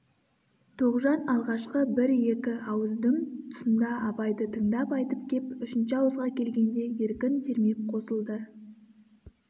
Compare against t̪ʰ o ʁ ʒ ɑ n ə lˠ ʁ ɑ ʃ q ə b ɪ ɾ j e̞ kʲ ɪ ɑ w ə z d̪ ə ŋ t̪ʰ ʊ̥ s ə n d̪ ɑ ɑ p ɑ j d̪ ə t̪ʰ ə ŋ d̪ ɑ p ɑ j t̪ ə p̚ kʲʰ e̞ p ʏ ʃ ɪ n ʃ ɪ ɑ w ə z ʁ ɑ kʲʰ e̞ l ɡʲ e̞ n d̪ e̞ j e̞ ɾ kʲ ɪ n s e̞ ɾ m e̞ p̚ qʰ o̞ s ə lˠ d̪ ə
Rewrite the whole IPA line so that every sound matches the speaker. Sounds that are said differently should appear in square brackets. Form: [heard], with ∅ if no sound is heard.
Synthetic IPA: t̪ʰ o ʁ ʒ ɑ n [ɑ] lˠ ʁ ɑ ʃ q ə b ɪ ɾ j e̞ kʲ ɪ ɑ w ə z d̪ ə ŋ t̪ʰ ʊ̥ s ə n d̪ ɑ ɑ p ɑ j d̪ ə t̪ʰ ə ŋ d̪ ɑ p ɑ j t̪ ə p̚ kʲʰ e̞ p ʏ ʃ ɪ n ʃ ɪ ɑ w ə z ʁ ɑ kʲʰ e̞ l ɡʲ e̞ n d̪ e̞ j e̞ ɾ kʲ ɪ n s e̞ ɾ m e̞ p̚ qʰ o̞ s ə lˠ d̪ ə